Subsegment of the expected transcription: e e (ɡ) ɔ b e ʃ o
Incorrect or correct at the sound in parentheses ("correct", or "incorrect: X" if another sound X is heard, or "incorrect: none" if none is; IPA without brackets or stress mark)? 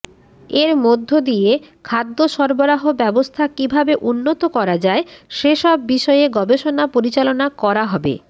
correct